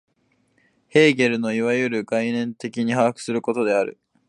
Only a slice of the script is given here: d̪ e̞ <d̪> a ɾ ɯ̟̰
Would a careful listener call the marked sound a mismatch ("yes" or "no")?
yes